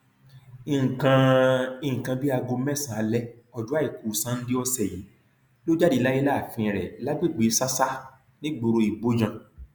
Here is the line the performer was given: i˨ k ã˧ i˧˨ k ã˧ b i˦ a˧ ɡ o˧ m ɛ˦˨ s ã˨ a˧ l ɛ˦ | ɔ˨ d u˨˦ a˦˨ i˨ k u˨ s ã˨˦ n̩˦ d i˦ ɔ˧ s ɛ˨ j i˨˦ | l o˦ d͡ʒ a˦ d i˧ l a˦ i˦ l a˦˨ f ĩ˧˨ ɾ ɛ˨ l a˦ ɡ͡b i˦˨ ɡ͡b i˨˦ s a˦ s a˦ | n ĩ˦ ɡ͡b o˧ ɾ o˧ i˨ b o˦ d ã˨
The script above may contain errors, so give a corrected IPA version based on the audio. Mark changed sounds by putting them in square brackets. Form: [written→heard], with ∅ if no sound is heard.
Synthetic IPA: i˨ k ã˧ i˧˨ k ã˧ b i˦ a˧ ɡ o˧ m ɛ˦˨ s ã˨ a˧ l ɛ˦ | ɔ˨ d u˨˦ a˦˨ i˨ k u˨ s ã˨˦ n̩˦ d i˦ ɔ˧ s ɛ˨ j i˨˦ | l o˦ d͡ʒ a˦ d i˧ l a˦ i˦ l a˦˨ f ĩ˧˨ ɾ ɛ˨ l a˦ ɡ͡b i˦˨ ɡ͡b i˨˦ s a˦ s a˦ | n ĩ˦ ɡ͡b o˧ ɾ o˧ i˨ b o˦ [d→d͡ʒ] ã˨

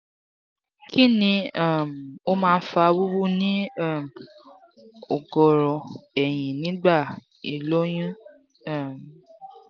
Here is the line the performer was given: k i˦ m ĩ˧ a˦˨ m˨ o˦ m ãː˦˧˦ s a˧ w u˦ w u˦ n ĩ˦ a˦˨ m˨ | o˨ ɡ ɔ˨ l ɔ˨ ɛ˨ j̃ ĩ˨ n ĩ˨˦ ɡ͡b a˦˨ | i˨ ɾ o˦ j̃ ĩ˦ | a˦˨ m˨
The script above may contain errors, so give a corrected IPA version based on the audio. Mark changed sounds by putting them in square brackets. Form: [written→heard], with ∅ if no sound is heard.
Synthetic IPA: k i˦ [m→n] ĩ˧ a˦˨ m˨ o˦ m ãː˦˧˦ [s→f] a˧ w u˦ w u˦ n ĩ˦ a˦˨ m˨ | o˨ ɡ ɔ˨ [l→ɾ] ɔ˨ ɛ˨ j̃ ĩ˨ n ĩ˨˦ ɡ͡b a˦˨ | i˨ [ɾ→l] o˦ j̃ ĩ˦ | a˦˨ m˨

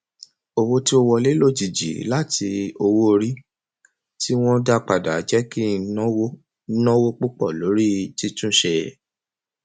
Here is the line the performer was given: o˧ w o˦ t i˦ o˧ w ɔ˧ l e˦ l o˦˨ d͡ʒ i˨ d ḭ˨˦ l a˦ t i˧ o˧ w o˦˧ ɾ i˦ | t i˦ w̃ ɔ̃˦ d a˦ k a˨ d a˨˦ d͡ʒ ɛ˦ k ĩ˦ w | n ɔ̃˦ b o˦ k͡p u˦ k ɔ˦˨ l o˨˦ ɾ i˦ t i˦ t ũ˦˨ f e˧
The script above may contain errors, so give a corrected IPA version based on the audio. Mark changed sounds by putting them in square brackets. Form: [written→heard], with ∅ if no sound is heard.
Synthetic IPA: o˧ w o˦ t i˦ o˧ w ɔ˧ l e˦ l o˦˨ d͡ʒ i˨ [d→d͡ʒ] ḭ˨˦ l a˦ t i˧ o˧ w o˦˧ ɾ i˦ | t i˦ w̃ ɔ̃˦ d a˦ [k→k͡p] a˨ d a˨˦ d͡ʒ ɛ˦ k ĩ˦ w | n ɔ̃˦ [b→w] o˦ k͡p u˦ [k→k͡p] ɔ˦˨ l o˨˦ ɾ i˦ t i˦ t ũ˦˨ [f→ʃ] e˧

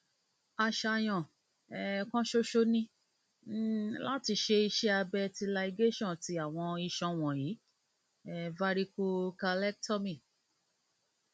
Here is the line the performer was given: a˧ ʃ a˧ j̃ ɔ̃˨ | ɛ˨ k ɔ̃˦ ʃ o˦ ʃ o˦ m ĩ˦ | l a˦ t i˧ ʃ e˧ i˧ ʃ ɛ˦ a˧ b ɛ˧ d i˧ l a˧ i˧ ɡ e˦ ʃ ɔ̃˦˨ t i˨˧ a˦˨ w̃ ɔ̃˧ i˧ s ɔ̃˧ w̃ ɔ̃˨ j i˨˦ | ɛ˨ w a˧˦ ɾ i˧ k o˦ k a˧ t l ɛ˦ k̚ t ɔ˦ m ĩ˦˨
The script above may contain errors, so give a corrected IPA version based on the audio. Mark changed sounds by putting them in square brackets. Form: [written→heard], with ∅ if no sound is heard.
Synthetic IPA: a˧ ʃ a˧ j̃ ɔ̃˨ | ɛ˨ k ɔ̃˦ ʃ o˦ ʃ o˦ [m→n] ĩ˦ | l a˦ t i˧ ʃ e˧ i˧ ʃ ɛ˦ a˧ b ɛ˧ [d→t] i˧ l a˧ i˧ ɡ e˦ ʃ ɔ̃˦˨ t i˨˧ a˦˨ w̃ ɔ̃˧ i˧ [s→ʃ] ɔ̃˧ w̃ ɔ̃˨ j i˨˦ | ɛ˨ [w→v] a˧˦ ɾ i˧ k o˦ k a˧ [t→∅] l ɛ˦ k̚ t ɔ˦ m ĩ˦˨

